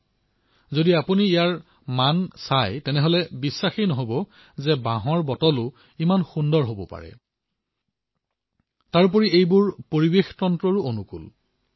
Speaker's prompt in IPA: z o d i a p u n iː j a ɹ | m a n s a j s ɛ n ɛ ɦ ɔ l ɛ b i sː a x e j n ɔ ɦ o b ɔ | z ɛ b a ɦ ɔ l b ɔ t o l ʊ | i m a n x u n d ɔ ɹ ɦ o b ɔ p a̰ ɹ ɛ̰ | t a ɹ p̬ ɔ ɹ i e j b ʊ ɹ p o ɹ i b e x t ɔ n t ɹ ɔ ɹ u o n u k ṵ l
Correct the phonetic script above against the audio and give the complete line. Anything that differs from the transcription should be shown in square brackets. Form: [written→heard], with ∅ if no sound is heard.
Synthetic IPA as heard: z o d i a p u n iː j a ɹ | m a n s a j [s→t] ɛ n ɛ ɦ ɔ l ɛ b i sː a x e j n ɔ ɦ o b ɔ | z ɛ b a ɦ ɔ [l→ɹ] b ɔ t [o→ɔ] l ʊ | i m a n x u n d ɔ ɹ ɦ o b ɔ p a̰ ɹ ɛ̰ | t a ɹ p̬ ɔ ɹ i e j b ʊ ɹ p o ɹ i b e x t ɔ n t ɹ ɔ ɹ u o n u k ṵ l